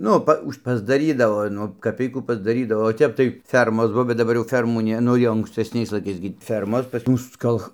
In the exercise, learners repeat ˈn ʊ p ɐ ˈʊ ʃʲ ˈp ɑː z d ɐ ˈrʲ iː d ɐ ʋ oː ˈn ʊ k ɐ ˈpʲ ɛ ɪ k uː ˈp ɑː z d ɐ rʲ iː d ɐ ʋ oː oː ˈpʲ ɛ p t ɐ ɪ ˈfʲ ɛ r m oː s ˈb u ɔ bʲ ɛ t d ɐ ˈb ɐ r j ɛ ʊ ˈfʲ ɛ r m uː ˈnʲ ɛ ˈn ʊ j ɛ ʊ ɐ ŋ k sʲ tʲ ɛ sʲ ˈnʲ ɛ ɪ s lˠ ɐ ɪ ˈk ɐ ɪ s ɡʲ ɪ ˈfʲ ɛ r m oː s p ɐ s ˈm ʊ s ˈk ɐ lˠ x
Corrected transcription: ˈn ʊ p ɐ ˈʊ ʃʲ ˈp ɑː z d ɐ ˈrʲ iː d ɐ ʋ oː ˈn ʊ k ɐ ˈpʲ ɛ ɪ k uː ˈp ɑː z d ɐ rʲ iː d ɐ ʋ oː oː ˈtʲ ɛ p t ɐ ɪ ˈfʲ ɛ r m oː s ˈb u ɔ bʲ ɛ t d ɐ ˈb ɐ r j ɛ ʊ ˈfʲ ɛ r m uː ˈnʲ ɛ ˈn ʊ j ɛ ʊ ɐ ŋ k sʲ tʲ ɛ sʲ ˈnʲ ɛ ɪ s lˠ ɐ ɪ ˈk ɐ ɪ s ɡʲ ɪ ˈfʲ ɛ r m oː s p ɐ s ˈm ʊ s ˈk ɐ lˠ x